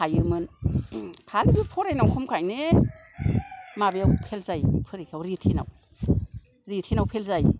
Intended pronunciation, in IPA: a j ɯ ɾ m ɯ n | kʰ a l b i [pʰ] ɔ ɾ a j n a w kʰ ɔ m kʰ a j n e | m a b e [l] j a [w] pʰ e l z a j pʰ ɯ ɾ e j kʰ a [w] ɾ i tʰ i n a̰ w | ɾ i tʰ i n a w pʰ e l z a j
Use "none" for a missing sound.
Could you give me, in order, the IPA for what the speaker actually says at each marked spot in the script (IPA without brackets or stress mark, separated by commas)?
pʰ, none, w, w